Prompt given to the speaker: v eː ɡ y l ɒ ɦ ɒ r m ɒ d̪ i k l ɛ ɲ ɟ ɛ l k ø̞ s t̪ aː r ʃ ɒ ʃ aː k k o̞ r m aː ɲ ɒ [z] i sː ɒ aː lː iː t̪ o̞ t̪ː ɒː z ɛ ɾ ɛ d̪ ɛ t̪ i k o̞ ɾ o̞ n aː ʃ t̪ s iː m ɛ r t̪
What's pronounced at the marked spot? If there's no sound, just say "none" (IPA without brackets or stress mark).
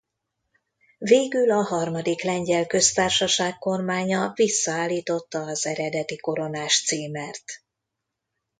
v